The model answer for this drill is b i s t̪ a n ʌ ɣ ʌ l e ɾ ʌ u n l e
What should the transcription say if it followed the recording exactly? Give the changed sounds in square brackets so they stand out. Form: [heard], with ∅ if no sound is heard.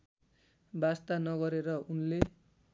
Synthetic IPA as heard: b [a] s t̪ a n ʌ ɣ ʌ [ɾ] e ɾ ʌ u n l e